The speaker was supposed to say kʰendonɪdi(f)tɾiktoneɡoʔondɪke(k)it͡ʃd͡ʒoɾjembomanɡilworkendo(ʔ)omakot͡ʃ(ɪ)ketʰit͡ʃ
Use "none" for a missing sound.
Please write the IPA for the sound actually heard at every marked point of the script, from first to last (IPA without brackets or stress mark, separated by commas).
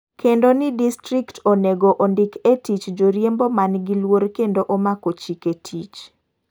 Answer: s, t, ʔ, i